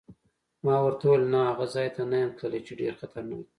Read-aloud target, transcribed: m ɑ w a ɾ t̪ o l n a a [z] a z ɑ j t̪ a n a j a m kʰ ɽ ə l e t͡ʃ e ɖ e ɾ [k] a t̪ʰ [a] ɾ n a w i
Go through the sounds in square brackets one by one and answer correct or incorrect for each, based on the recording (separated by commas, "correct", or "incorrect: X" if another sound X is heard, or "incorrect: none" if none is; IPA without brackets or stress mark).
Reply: incorrect: ɣ, incorrect: x, correct